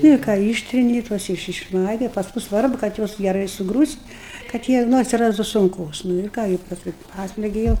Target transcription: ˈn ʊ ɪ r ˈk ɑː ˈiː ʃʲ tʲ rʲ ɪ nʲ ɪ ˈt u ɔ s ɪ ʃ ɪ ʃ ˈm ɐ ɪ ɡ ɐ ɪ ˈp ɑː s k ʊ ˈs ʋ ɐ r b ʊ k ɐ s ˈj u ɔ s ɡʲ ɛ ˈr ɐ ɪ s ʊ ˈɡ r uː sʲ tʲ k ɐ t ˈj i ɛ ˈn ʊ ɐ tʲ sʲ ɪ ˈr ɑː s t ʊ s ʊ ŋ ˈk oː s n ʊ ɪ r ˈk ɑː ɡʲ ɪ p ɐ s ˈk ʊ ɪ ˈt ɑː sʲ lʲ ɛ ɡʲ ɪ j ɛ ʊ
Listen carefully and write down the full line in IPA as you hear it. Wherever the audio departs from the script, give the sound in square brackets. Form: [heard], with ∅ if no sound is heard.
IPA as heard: ˈn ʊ ɪ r ˈk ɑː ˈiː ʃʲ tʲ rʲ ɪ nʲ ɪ ˈt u ɔ s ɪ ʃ ɪ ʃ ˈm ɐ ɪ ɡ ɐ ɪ ˈp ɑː s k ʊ ˈs ʋ ɐ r b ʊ k ɐ [t] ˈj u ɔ s ɡʲ ɛ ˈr ɐ ɪ s ʊ ˈɡ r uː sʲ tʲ k ɐ t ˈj i ɛ ˈn ʊ ɐ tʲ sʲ ɪ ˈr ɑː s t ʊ s ʊ ŋ ˈk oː s n ʊ ɪ r ˈk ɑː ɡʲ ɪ p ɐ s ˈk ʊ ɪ [ˈp] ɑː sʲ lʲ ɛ ɡʲ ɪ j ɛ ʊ